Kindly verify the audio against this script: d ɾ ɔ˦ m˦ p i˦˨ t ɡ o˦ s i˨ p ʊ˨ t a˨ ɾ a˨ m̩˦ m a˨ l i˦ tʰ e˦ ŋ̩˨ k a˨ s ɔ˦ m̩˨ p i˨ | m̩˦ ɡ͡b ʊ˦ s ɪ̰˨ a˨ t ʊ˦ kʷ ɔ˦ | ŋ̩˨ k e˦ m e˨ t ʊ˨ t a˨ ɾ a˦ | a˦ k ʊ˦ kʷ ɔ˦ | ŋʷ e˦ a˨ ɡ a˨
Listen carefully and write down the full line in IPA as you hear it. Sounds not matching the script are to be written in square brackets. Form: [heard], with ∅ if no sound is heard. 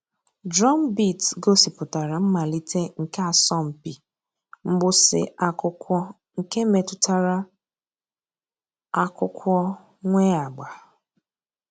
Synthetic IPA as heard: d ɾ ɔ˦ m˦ [b] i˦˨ t ɡ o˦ s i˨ p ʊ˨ t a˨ ɾ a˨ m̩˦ m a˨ l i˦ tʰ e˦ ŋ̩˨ k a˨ s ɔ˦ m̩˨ p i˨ | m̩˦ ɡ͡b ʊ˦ s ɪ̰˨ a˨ [k] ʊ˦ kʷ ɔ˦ | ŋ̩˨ k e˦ m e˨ t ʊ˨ t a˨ ɾ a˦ | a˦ k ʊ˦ kʷ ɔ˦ | ŋʷ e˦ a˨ [ɡ͡b] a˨